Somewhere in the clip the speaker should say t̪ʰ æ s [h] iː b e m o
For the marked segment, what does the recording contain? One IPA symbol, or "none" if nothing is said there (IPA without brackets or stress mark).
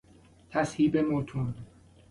h